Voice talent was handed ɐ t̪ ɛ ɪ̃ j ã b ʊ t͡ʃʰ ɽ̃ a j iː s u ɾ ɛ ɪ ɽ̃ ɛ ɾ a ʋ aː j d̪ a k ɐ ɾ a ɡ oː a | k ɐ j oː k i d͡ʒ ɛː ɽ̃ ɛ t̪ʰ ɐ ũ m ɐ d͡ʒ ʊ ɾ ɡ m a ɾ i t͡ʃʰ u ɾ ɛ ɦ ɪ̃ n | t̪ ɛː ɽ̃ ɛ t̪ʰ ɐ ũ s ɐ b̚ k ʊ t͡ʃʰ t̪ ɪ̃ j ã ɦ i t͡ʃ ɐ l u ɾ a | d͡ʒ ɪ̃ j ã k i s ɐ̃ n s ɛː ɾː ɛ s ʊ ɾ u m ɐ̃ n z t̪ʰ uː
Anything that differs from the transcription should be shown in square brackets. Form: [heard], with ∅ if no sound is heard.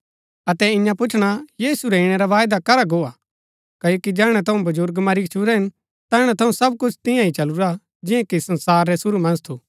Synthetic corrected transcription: ɐ t̪ ɛ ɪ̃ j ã [p] ʊ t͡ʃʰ ɽ̃ a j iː s u ɾ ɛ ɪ ɽ̃ ɛ ɾ a ʋ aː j d̪ a k ɐ ɾ a ɡ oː a | k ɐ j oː k i d͡ʒ ɛː ɽ̃ ɛ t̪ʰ ɐ ũ [b] ɐ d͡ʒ ʊ ɾ ɡ m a ɾ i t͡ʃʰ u ɾ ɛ ɦ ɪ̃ n | t̪ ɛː ɽ̃ ɛ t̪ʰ ɐ ũ s ɐ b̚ k ʊ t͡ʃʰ t̪ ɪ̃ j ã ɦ i t͡ʃ ɐ l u ɾ a | d͡ʒ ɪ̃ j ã k i s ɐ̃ n s [aː] ɾː ɛ s ʊ ɾ u m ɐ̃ n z t̪ʰ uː